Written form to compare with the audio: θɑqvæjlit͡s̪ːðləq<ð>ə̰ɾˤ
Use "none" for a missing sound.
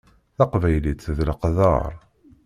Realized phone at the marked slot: ð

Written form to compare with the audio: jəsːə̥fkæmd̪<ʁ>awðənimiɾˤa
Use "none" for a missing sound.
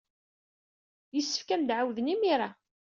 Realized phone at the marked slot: ʕ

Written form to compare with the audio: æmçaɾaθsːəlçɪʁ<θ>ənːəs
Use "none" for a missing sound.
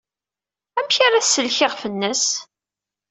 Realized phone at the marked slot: f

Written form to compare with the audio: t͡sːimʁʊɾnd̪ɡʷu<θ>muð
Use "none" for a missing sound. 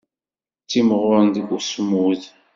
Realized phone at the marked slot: s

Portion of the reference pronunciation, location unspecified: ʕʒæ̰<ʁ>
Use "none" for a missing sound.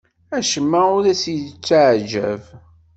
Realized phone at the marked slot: v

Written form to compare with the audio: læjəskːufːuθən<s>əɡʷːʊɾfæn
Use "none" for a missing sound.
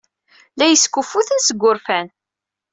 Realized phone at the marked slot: s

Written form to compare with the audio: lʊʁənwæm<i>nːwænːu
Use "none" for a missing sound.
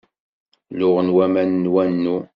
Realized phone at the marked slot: æ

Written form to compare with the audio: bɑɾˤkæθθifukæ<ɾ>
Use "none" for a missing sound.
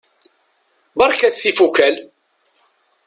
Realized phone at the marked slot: l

